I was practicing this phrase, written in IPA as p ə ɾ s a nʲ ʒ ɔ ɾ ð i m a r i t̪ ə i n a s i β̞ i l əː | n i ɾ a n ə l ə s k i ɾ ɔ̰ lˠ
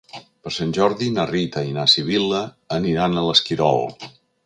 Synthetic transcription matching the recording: p ə ɾ s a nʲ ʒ ɔ ɾ ð i n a r i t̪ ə i n a s i β̞ i l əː | n i ɾ a n ə l ə s k i ɾ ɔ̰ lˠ

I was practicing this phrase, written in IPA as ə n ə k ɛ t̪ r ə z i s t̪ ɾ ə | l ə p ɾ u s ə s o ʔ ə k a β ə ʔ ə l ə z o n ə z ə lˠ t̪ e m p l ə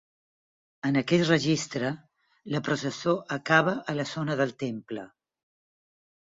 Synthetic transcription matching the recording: ə n ə k ɛ t̪ r ə ʒ i s t̪ ɾ ə | l ə p ɾ u s ə s o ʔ ə k a β ə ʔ ə l ə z o n ə ð ə lˠ t̪ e m p l ə

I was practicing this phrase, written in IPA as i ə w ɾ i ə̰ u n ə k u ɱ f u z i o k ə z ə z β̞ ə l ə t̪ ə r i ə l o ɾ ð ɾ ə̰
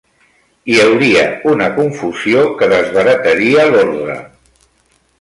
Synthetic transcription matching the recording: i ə w ɾ i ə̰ u n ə k u ɱ f u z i o k ə ð ə z β̞ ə ɾ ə t̪ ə ɾ i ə l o ɾ ð ɾ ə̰

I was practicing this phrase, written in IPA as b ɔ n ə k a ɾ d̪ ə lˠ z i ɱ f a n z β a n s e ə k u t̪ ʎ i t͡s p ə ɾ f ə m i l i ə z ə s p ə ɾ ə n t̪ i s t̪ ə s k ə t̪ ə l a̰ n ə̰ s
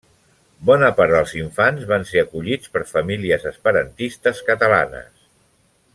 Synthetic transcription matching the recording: b ɔ n ə p a ɾ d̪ ə lˠ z i ɱ f a n z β a n s e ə k u ʎ i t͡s p ə ɾ f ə m i l i ə z ə s p ə ɾ ə n t̪ i s t̪ ə s k ə t̪ ə l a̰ n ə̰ s

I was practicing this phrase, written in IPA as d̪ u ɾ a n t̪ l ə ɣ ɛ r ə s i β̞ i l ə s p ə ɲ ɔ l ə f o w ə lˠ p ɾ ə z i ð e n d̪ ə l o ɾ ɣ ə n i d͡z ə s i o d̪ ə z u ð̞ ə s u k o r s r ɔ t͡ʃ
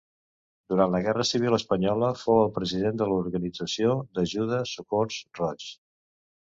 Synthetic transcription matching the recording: d̪ u ɾ a n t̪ l ə ɣ ɛ r ə s i β̞ i l ə s p ə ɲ ɔ l ə f o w ə lˠ p ɾ ə z i ð e n d̪ ə l u ɾ ɣ ə n i d͡z ə s i o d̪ ə ʒ u ð̞ ə s u k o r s r ɔ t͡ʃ

